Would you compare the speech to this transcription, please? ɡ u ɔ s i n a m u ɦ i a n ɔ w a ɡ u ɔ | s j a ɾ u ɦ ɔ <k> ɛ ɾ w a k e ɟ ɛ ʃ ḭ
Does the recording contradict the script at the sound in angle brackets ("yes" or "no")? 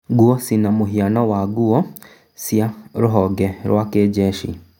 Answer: yes